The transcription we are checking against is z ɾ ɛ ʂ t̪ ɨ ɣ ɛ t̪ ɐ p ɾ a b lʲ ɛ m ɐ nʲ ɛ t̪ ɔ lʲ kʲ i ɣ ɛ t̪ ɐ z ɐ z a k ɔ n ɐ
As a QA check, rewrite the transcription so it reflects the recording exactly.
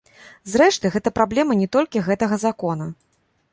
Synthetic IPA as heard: z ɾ ɛ ʂ t̪ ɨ ɣ ɛ t̪ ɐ p ɾ a b lʲ ɛ m ɐ nʲ ɛ t̪ ɔ lʲ kʲ i ɣ ɛ t̪ ɐ ɣ ɐ z a k ɔ n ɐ